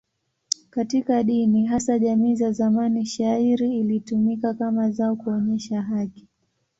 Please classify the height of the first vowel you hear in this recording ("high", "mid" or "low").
low